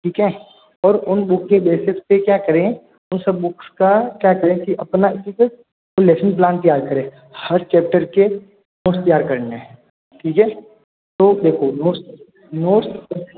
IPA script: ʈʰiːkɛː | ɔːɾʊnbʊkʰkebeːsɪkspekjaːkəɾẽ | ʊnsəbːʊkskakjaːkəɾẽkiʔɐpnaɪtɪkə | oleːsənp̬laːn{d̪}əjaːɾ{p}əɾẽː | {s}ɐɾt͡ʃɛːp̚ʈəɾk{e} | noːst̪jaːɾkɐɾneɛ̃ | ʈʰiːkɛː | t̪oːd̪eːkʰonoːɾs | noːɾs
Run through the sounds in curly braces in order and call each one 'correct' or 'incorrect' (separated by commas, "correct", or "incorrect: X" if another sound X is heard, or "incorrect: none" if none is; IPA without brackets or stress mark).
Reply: incorrect: t̪, incorrect: k, incorrect: h, correct